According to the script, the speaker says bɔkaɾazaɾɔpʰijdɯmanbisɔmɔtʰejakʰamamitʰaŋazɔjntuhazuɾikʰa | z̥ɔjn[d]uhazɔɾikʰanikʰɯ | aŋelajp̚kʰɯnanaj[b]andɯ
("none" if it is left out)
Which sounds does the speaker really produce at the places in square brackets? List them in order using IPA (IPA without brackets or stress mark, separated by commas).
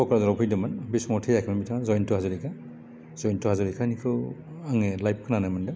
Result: t, m